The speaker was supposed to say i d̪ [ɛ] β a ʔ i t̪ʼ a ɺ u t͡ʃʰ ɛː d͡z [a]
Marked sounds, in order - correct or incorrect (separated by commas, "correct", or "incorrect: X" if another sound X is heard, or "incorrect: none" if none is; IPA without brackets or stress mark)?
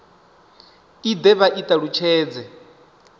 correct, incorrect: ɛ